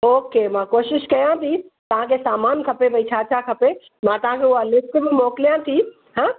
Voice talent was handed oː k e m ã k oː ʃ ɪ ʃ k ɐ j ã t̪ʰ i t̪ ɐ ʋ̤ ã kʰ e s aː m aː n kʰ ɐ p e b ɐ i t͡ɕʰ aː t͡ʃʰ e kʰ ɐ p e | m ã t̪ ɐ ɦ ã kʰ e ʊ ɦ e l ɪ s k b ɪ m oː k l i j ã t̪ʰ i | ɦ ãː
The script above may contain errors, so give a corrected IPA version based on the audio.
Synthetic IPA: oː k e m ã k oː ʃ ɪ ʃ k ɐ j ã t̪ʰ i t̪ ɐ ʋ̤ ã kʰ e s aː m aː n kʰ ɐ p e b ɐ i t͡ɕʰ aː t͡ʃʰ a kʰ ɐ p e | m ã t̪ ɐ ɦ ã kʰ e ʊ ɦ a l ɪ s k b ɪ m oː k l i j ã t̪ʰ i | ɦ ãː

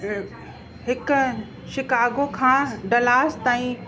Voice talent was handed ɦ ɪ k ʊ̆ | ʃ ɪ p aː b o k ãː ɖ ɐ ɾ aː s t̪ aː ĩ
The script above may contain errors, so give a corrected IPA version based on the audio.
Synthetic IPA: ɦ ɪ k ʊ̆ | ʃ ɪ k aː ɡ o kʰ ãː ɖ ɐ l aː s t̪ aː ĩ

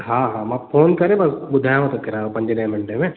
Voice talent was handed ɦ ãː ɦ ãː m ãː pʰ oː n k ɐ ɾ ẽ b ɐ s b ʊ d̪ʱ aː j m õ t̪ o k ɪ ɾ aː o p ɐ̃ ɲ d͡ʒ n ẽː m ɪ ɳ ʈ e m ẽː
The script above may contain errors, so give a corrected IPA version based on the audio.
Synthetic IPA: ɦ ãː ɦ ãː m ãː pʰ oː n k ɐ ɾ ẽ b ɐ s b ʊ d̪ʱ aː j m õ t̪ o k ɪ ɾ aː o p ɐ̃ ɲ d͡ʒ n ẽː m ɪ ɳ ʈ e m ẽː

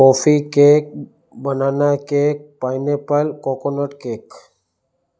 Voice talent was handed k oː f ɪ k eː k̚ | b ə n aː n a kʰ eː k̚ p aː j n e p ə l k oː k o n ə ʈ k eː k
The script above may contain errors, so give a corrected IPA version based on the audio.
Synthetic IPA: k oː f i k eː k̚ | b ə n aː n a k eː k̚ p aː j n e p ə l k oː k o n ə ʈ k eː k

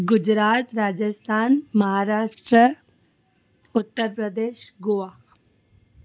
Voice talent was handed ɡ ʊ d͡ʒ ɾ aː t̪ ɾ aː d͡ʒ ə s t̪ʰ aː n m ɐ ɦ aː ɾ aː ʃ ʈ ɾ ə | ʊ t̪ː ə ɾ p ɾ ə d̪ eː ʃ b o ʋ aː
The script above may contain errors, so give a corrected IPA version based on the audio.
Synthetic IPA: ɡ ʊ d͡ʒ ɾ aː t̪ ɾ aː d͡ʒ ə s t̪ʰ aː n m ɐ ɦ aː ɾ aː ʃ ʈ ɾ ə | ʊ t̪ː ə ɾ p ɾ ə d̪ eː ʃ ɡ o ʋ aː

